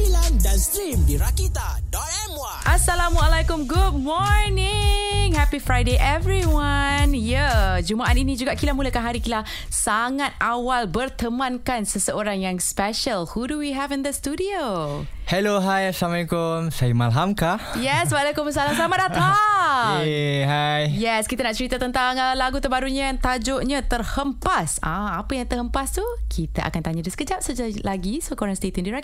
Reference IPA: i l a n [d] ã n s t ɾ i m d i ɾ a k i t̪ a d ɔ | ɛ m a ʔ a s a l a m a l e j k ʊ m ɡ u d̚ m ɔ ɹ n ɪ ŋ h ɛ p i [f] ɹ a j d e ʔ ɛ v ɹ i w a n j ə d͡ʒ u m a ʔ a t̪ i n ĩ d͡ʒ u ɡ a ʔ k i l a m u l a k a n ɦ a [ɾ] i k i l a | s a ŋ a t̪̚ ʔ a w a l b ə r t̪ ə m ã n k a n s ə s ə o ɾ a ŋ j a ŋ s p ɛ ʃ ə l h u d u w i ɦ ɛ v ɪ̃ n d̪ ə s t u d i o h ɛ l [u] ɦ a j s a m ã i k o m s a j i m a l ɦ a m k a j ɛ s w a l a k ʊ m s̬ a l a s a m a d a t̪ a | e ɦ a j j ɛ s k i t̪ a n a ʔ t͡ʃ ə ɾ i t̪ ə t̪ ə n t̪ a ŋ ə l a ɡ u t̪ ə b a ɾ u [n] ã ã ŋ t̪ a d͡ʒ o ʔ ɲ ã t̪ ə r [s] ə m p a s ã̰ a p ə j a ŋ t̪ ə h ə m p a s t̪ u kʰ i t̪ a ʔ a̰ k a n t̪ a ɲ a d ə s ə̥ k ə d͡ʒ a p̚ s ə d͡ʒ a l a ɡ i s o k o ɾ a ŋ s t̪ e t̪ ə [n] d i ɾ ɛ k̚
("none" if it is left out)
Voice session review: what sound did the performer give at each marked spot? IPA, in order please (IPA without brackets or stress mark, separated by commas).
d, f, ɾ, o, ɲ, h, n